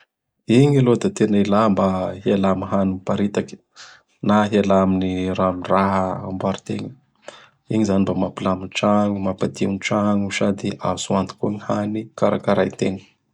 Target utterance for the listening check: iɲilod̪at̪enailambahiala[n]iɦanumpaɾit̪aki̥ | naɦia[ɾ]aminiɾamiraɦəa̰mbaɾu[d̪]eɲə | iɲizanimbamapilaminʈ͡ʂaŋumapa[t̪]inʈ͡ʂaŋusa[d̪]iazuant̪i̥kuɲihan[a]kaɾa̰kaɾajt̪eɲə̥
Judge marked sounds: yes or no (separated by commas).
no, no, no, no, yes, no